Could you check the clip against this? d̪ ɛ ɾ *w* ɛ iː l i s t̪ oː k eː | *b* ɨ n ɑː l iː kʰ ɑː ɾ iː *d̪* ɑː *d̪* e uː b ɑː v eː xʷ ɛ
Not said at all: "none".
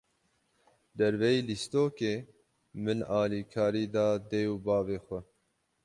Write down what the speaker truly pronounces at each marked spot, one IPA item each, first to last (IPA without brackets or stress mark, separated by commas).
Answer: v, m, d̪, d̪